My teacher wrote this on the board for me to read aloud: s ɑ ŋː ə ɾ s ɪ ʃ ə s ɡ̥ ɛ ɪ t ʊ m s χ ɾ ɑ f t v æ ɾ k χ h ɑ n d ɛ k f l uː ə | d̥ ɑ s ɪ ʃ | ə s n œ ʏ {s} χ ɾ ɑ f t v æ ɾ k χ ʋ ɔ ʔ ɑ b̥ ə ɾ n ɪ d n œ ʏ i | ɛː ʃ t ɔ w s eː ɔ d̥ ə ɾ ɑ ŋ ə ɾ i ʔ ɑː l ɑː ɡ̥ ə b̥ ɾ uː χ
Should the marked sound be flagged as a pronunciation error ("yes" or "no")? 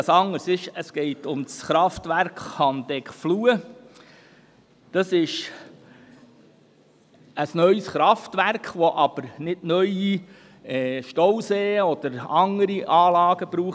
no